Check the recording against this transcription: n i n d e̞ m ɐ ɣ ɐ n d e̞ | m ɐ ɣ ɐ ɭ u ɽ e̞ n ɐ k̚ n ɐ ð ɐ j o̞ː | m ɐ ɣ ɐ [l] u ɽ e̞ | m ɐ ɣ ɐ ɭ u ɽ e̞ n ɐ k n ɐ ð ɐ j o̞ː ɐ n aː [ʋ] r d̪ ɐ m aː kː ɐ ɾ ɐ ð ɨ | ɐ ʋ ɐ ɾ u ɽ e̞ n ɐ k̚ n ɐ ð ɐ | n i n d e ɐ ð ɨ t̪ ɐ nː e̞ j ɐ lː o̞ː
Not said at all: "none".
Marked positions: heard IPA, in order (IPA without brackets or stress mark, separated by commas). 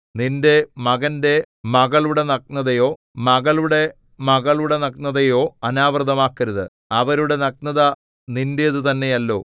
ɭ, ʋ